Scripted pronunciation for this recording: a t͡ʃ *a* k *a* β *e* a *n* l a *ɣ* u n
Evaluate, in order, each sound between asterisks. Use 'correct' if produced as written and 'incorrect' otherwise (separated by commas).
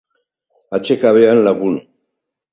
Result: incorrect, correct, correct, correct, correct